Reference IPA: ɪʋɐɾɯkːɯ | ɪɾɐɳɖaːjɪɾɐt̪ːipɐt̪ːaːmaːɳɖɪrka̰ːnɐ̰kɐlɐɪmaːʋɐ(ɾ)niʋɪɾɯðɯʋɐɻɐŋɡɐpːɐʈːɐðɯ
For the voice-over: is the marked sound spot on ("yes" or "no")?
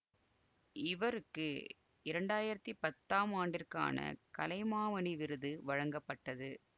no